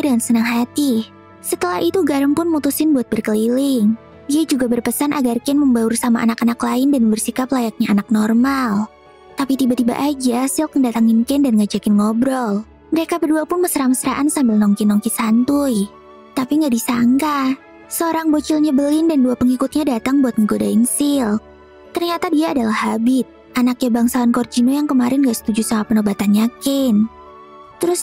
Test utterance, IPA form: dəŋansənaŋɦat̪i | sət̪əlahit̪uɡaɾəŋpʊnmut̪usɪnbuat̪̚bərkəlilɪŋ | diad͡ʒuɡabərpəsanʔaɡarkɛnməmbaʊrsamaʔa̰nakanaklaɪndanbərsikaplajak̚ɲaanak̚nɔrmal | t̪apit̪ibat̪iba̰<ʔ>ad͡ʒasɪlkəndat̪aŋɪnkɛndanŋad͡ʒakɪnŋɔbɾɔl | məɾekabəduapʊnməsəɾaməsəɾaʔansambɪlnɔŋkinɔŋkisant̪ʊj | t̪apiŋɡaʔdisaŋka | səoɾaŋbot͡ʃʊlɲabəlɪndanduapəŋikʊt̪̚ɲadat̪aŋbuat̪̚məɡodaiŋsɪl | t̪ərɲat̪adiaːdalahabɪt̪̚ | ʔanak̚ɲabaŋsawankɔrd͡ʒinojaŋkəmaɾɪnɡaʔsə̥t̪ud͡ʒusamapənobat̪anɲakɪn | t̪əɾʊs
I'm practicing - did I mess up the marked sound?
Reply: no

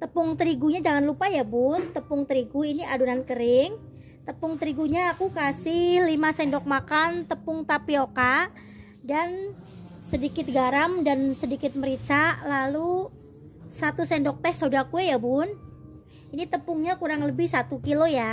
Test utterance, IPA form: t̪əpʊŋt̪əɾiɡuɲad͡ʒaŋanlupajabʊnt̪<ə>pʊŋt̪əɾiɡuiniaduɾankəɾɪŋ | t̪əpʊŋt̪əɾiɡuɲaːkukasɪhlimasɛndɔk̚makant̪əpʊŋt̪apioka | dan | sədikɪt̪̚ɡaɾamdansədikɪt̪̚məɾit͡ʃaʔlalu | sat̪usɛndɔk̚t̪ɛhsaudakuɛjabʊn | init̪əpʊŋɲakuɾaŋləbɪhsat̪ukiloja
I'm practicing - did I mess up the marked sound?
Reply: no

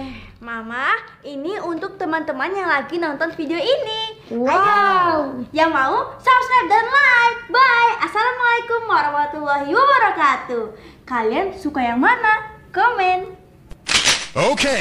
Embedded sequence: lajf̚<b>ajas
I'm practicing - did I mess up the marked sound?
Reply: no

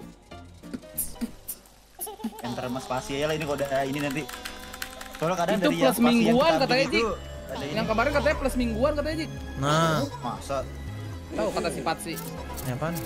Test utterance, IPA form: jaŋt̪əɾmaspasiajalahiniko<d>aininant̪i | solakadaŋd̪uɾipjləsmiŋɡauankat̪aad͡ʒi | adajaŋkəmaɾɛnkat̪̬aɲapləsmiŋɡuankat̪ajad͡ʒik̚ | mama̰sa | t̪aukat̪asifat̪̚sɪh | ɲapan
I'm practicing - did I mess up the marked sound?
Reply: no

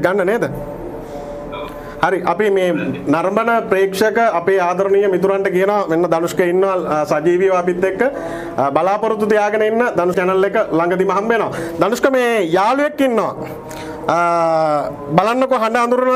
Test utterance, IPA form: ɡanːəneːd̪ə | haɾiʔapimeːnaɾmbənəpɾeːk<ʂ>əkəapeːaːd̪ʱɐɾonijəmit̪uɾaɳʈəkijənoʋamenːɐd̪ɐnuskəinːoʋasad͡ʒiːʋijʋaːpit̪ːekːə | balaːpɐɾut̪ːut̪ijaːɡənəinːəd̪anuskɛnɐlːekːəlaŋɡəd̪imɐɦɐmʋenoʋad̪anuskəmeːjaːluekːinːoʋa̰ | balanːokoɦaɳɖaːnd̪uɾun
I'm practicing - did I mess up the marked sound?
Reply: no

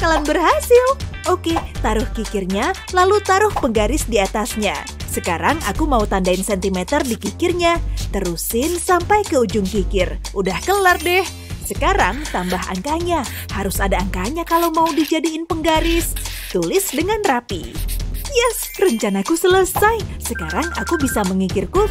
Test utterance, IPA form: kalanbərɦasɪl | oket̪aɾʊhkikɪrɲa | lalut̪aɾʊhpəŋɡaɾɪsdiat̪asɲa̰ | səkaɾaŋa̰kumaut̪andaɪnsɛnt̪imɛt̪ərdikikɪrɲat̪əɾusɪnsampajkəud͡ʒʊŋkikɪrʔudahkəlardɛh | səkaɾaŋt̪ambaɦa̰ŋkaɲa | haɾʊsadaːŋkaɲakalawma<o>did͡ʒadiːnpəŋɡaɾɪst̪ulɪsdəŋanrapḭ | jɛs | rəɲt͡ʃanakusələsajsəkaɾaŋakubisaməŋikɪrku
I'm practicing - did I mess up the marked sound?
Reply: yes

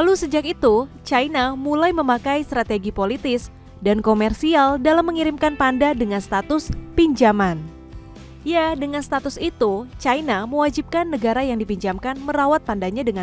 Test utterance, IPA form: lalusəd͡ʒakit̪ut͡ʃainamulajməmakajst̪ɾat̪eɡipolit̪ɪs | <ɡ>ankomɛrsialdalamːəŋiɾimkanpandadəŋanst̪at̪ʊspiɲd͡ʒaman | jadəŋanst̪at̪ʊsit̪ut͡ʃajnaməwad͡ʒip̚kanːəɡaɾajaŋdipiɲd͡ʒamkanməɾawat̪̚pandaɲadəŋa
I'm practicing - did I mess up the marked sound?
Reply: yes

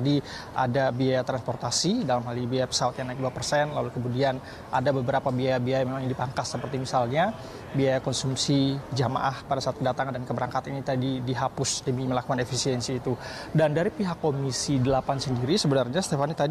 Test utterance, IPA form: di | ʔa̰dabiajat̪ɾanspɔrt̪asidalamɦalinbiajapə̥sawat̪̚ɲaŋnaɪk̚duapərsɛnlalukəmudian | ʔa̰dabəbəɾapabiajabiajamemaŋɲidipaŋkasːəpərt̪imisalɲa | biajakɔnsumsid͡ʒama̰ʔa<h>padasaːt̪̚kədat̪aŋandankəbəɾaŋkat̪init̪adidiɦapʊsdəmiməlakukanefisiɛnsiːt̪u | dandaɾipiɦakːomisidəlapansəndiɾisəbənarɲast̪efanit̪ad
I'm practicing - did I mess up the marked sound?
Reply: no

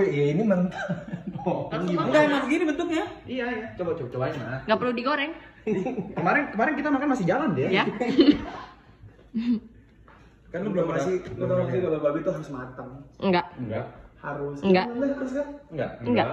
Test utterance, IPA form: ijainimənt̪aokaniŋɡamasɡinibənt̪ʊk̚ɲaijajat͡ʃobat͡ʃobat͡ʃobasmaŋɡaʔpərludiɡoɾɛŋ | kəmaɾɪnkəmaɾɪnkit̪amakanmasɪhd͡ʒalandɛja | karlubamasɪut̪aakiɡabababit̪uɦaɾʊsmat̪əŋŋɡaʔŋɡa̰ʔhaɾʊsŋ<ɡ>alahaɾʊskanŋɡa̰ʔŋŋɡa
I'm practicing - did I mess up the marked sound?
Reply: no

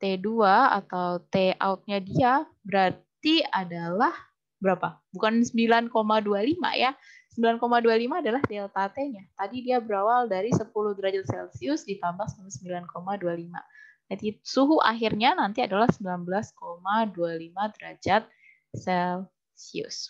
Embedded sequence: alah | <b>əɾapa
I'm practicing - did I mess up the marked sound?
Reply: no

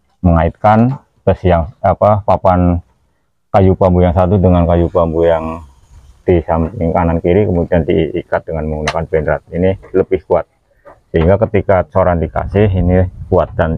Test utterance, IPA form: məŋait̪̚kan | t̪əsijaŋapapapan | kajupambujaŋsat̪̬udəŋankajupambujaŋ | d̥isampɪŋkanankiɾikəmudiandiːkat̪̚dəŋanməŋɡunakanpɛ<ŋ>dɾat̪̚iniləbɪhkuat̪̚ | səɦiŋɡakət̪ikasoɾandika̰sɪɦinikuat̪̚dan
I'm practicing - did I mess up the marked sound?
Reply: yes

